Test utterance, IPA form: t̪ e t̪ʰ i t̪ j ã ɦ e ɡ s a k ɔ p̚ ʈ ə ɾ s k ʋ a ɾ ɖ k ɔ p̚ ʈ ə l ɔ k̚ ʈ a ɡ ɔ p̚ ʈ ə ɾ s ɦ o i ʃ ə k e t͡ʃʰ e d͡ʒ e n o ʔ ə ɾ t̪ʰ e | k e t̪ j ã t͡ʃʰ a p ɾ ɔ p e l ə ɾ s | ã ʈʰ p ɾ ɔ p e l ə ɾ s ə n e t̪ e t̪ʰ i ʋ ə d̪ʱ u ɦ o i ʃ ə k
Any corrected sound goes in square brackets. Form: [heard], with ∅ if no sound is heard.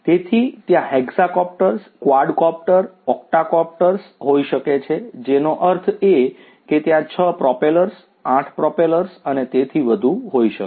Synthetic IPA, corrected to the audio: t̪ e t̪ʰ i t̪ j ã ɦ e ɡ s a k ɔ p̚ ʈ ə ɾ s k ʋ a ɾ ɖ k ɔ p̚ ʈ ə [ɾ] ɔ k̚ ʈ a [k] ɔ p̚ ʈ ə ɾ s ɦ o i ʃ ə k e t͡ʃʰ e d͡ʒ e n o ʔ ə ɾ t̪ʰ e | k e t̪ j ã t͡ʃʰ [ə] p ɾ ɔ p e l ə ɾ s | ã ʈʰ p ɾ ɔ p e l ə ɾ s ə n e t̪ e t̪ʰ i ʋ ə d̪ʱ u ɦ o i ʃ ə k